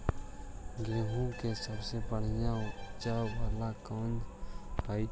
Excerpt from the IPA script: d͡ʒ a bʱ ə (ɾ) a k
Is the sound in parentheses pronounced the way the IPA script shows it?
no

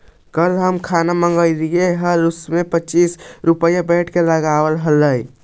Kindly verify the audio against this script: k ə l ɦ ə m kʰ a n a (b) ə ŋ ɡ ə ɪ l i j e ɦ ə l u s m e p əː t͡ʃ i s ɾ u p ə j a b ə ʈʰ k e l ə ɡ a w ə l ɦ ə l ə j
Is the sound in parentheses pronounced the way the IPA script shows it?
no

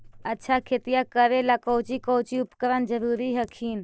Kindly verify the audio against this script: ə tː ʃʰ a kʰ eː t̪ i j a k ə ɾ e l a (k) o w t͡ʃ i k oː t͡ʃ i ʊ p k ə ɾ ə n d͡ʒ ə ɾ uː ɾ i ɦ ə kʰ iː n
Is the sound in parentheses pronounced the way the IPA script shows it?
yes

